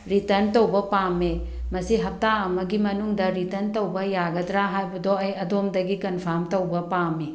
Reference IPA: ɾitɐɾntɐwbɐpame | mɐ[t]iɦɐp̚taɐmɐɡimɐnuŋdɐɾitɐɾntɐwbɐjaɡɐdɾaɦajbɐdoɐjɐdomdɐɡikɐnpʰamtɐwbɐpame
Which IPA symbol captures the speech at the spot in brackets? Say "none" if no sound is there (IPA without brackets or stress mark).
s